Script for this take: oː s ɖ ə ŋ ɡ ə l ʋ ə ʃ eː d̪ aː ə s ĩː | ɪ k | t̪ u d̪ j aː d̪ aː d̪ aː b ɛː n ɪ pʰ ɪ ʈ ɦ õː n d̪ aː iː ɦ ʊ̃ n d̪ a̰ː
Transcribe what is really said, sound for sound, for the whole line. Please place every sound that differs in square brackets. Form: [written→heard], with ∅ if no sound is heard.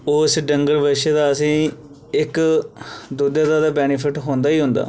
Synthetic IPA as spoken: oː s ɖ ə ŋ ɡ ə [l→ɾ] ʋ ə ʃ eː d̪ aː ə s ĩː | ɪ k | [t̪→d̪] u d̪ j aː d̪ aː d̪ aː b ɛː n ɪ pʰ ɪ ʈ ɦ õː n d̪ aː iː ɦ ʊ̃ n d̪ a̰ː